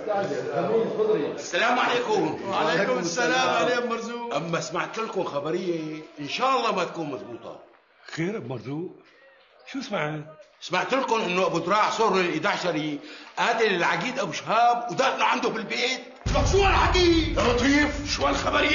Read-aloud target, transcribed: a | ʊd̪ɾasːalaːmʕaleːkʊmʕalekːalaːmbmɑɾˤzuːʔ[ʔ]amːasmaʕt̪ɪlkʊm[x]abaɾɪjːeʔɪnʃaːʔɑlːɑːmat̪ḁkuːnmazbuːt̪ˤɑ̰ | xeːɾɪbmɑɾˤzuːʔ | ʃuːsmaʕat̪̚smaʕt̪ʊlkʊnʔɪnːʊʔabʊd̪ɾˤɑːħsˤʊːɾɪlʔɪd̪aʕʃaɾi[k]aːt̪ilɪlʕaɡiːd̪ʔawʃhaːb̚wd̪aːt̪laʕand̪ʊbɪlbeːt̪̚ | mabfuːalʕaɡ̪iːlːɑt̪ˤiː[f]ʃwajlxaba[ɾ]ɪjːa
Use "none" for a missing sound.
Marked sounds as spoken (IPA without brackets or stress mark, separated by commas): ʔ, x, ʔ, f, ɾ